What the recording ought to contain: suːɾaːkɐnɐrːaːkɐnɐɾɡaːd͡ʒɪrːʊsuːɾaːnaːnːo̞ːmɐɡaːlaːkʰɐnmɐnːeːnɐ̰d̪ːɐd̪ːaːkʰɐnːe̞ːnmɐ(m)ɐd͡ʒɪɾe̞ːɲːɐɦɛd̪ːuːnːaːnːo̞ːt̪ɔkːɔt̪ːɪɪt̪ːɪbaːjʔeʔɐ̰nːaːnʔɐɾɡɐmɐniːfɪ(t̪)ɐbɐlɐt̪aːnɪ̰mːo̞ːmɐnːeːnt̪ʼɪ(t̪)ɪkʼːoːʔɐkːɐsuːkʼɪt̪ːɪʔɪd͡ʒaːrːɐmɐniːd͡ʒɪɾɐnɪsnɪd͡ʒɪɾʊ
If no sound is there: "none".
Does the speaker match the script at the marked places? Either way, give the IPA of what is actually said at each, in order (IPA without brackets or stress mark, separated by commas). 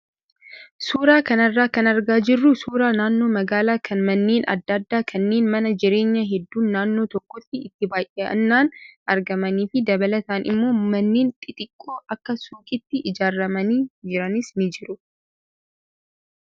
n, d̪, t̪ʼ